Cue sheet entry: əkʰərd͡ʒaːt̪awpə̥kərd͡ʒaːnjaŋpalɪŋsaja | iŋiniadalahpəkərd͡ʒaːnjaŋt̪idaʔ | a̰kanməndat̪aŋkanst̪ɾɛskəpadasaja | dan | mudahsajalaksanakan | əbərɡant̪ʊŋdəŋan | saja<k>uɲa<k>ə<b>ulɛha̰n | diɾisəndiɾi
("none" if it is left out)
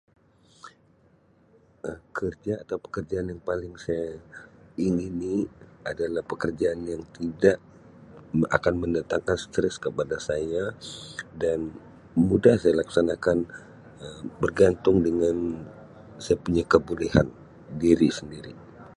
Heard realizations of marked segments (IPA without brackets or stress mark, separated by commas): p, k, b